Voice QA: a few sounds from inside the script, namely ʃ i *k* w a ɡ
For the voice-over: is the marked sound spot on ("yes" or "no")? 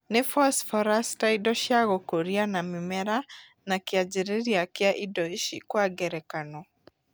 yes